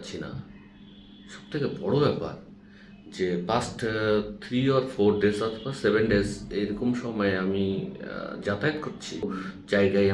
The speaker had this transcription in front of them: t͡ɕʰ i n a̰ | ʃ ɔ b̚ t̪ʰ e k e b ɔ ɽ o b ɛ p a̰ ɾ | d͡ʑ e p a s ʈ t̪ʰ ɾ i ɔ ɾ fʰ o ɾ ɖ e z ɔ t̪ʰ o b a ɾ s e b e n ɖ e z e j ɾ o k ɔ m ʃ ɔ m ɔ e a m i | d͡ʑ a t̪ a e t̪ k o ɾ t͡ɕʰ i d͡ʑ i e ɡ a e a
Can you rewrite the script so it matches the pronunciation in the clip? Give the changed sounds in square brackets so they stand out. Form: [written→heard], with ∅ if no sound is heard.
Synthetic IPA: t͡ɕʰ i n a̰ | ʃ ɔ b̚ t̪ʰ e k e b ɔ ɽ o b ɛ p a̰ ɾ | d͡ʑ e p a s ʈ t̪ʰ ɾ i ɔ ɾ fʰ o ɾ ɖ e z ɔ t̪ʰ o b a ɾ s e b e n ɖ e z e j ɾ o k [ɔ→o] m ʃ ɔ m ɔ e a m i | d͡ʑ a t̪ a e t̪ k o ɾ t͡ɕʰ i d͡ʑ [i→a] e ɡ a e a